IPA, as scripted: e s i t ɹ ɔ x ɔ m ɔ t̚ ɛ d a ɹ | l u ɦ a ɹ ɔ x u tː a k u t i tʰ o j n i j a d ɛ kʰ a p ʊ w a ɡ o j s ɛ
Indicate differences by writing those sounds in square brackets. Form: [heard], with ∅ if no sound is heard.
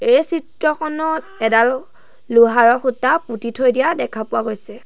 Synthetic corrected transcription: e s i t ɹ ɔ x ɔ [n] ɔ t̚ ɛ d a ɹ | l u ɦ a ɹ ɔ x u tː a [p] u t i tʰ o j [d] i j a d ɛ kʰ a p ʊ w a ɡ o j s ɛ